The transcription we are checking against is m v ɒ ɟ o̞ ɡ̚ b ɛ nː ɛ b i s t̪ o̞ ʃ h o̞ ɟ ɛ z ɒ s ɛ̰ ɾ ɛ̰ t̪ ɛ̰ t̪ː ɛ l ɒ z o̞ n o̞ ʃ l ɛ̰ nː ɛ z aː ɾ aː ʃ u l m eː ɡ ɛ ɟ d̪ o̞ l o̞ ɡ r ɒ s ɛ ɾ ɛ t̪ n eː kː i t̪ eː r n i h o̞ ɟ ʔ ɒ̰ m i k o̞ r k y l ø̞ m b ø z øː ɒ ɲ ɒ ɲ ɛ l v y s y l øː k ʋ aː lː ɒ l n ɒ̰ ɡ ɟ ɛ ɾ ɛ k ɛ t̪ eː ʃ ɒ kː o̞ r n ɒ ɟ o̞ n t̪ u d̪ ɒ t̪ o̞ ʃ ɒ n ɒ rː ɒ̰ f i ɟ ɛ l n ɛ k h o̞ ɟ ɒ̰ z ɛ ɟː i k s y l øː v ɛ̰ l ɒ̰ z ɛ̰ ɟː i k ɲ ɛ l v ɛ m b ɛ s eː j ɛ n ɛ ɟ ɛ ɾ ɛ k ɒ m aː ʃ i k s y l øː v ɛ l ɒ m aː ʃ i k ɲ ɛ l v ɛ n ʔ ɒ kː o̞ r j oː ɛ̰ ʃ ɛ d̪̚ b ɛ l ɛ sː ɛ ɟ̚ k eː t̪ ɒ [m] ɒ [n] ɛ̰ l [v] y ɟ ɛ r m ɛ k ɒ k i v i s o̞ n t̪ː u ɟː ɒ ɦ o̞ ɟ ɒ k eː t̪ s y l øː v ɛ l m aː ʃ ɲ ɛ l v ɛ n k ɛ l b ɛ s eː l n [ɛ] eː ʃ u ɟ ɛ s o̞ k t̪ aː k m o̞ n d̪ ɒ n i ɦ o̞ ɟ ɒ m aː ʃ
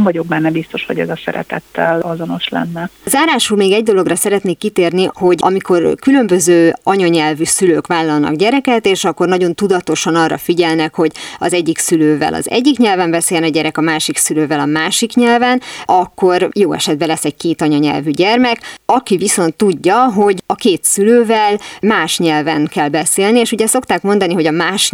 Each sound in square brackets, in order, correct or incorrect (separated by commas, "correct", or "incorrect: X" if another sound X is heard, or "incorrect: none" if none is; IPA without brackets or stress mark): incorrect: ɲ, incorrect: ɲ, correct, incorrect: i